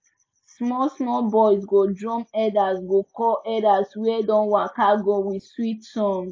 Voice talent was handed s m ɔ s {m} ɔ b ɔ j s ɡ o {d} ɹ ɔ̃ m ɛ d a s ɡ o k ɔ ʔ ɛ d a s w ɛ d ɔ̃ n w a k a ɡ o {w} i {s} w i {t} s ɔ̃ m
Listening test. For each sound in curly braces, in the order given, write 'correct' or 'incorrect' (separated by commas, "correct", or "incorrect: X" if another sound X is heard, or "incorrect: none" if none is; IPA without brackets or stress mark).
correct, correct, correct, correct, correct